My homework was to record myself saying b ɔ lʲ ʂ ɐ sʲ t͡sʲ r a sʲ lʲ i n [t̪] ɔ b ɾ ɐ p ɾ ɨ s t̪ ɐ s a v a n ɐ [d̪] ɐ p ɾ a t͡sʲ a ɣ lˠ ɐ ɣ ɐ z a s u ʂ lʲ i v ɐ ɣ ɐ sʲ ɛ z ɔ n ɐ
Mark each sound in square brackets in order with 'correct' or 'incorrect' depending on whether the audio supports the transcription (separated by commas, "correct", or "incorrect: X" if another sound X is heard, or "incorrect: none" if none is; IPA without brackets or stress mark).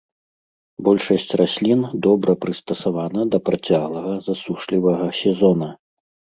incorrect: d̪, correct